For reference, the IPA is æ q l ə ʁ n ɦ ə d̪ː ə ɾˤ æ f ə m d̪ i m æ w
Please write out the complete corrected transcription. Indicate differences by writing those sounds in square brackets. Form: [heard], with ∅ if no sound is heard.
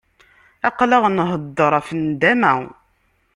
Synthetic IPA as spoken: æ q l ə ʁ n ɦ ə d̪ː ə ɾˤ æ f ə [n] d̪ [æ] m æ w